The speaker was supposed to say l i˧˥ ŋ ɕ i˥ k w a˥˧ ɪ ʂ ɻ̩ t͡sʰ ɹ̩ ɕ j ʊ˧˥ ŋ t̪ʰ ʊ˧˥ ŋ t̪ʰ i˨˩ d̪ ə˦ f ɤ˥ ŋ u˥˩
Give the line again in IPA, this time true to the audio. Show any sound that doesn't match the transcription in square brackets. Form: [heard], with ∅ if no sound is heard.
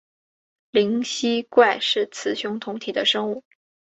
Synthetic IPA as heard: l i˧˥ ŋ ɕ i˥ k w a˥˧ ɪ ʂ ɻ̩ t͡sʰ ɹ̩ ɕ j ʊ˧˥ ŋ t̪ʰ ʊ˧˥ ŋ t̪ʰ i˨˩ d̪ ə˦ [ʂ] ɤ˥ ŋ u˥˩